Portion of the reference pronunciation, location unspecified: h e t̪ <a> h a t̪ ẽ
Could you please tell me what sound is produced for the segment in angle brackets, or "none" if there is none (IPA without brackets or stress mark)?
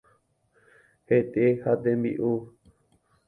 e